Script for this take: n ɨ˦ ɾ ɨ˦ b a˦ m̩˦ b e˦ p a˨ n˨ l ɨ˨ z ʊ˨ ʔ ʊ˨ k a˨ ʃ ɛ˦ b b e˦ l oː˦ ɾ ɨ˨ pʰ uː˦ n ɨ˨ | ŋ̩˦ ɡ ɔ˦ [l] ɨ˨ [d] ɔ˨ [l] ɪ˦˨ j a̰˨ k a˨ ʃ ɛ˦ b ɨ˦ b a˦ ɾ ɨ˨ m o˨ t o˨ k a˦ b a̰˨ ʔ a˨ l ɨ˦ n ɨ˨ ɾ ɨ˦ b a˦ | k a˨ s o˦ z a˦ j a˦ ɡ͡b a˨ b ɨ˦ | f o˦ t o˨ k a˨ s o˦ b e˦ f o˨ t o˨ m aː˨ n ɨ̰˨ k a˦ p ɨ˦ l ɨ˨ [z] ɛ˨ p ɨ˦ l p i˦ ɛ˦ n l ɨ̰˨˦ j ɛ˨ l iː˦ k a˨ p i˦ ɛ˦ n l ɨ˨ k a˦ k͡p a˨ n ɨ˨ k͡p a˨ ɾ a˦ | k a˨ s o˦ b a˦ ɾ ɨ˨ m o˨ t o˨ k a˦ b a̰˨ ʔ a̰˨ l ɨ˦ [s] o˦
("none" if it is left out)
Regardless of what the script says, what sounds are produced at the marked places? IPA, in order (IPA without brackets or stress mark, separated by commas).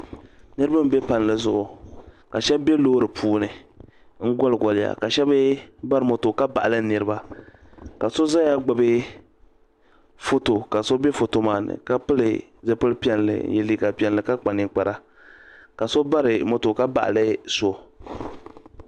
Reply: l, ɡ, l, z, s